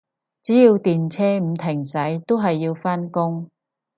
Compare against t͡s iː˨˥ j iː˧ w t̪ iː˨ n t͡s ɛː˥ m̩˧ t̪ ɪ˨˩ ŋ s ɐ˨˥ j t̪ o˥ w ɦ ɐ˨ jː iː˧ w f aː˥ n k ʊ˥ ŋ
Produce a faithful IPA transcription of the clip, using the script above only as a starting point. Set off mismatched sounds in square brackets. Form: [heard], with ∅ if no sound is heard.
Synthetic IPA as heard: t͡s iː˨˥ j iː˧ w t̪ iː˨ n [t͡sʰ] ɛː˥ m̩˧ [t̪ʰ] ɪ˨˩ ŋ s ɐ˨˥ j t̪ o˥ w ɦ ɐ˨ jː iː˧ w f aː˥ n k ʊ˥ ŋ